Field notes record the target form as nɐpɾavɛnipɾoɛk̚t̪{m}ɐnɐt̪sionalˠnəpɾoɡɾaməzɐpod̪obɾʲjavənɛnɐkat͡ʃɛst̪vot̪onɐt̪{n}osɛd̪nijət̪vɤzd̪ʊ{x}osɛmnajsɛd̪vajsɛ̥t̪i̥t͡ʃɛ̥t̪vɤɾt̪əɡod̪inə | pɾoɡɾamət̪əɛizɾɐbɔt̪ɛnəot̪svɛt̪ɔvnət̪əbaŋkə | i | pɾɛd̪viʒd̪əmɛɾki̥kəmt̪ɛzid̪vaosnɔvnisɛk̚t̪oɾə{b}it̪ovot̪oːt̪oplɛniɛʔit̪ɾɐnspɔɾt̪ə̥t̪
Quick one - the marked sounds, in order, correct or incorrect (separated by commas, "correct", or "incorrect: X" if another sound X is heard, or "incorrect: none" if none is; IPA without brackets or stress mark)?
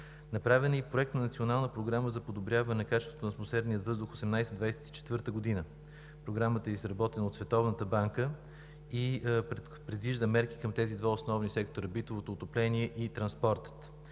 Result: incorrect: n, incorrect: m, correct, correct